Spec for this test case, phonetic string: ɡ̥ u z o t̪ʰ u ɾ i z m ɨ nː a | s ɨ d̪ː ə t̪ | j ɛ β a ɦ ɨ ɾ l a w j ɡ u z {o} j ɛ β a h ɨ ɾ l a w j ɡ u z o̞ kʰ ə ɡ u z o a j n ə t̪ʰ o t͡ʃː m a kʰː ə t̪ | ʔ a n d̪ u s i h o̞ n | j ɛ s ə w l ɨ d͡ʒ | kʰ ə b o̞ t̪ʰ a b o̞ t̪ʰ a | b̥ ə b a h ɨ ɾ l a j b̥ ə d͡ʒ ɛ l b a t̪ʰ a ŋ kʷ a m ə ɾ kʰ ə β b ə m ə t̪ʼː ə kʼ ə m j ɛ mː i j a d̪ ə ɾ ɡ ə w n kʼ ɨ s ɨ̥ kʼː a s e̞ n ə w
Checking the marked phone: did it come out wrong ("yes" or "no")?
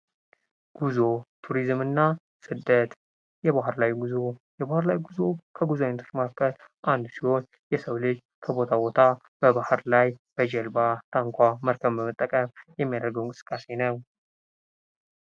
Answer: no